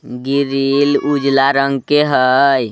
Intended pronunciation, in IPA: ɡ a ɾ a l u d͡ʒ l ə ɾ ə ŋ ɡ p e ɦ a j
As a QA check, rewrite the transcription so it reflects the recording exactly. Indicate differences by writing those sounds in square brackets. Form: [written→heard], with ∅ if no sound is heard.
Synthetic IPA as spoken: ɡ [a→i] ɾ [a→i] l u d͡ʒ l [ə→a] ɾ ə ŋ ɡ [p→k] e ɦ [a→ə] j